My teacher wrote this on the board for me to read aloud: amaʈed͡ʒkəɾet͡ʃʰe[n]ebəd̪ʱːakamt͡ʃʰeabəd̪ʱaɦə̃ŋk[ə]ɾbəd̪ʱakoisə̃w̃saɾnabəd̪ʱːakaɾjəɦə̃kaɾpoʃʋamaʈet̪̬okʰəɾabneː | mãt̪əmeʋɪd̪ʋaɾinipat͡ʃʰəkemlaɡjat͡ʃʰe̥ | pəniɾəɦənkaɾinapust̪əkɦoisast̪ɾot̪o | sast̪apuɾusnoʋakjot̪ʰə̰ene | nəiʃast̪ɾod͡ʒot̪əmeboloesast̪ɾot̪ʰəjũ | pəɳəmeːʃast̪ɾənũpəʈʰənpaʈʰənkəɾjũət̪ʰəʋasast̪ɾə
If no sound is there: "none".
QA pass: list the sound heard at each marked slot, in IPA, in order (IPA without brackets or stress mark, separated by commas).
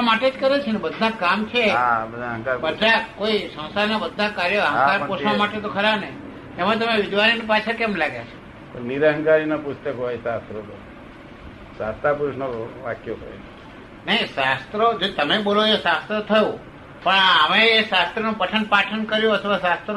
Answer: n, a